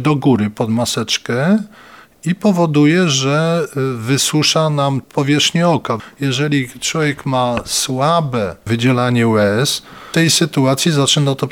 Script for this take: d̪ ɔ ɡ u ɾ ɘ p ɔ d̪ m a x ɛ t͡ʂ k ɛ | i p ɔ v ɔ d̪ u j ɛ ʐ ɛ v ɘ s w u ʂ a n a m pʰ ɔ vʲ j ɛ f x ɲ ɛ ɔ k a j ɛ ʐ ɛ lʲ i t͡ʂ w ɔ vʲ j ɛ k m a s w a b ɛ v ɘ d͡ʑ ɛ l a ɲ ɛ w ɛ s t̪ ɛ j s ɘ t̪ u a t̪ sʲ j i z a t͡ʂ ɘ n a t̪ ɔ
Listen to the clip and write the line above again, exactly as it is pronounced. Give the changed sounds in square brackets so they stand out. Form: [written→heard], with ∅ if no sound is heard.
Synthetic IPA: d̪ ɔ ɡ u ɾ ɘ p ɔ d̪ m a [x→s] ɛ t͡ʂ k ɛ | i p ɔ v ɔ d̪ u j ɛ ʐ ɛ v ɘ s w u ʂ a n a m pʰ ɔ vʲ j ɛ [f→ʂ] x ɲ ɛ ɔ k a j ɛ ʐ ɛ lʲ i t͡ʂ w ɔ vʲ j ɛ k m a s w a b ɛ v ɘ d͡ʑ ɛ l a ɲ ɛ w ɛ s t̪ ɛ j s ɘ t̪ u a t̪ sʲ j i z a t͡ʂ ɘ n a t̪ ɔ